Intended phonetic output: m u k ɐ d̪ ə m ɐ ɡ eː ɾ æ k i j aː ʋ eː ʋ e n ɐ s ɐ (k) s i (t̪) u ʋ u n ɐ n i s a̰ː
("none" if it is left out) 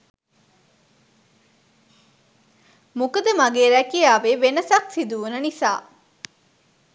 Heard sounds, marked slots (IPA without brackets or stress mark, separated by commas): k, d̪